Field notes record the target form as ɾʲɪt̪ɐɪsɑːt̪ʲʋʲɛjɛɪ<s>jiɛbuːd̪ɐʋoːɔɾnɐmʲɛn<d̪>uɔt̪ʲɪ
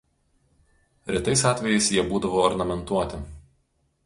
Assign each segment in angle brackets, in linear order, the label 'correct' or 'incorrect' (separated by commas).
correct, incorrect